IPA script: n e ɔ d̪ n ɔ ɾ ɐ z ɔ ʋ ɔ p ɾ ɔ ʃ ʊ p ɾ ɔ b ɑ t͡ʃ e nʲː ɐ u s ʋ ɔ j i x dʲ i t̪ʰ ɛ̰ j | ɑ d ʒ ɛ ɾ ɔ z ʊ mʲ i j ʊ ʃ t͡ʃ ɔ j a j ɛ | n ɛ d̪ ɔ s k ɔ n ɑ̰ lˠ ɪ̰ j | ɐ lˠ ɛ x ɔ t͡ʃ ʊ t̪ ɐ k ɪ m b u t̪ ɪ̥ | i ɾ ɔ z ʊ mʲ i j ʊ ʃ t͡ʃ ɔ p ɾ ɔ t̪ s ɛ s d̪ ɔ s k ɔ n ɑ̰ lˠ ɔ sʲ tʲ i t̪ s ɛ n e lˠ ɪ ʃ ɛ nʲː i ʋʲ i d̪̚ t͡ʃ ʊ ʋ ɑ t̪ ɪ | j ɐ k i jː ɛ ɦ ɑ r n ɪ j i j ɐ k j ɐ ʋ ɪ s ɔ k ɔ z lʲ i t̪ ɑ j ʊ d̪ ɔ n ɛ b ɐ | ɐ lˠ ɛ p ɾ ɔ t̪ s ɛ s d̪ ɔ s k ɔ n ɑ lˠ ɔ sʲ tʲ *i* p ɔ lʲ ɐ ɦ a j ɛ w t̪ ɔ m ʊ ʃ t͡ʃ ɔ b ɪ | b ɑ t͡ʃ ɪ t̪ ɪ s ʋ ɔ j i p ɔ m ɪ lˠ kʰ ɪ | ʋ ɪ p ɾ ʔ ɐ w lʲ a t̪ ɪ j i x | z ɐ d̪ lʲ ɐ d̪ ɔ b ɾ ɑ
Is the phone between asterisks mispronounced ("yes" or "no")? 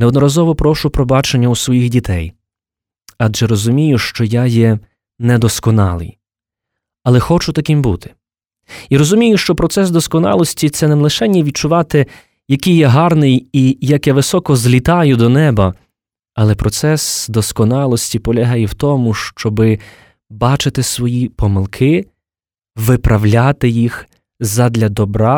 no